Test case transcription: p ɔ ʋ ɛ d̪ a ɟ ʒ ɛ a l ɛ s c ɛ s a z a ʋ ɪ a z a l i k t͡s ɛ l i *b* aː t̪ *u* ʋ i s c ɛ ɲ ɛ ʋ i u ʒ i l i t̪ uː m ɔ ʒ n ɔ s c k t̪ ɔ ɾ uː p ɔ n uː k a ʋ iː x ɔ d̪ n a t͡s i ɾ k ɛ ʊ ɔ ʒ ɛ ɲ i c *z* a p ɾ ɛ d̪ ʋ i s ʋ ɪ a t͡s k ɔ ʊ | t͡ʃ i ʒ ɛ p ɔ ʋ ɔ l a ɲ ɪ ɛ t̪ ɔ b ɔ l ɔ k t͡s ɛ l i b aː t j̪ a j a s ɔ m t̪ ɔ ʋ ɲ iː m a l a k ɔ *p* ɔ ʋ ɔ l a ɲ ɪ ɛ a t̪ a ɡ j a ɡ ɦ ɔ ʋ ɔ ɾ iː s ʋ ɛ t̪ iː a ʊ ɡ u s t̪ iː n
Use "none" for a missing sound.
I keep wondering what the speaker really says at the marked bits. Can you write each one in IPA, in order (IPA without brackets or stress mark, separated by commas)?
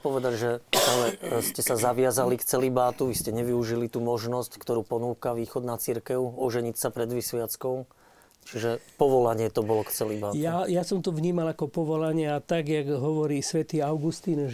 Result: b, u, s, p